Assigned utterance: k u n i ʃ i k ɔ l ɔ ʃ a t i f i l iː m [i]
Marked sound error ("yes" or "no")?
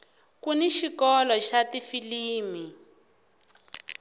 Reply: no